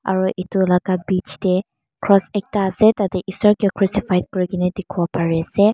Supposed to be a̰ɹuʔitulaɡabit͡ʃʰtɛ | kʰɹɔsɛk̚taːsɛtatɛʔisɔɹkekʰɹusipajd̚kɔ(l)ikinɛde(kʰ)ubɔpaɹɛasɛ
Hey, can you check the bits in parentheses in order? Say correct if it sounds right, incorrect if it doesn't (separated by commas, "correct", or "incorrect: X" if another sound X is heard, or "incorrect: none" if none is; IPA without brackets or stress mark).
incorrect: ɹ, correct